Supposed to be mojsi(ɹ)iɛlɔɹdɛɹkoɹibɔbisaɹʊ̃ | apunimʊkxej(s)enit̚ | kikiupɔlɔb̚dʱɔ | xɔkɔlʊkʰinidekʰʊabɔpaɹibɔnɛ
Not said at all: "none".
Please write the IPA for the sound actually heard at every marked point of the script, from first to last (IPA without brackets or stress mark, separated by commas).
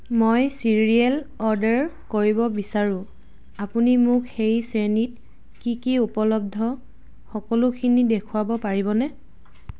ɹ, s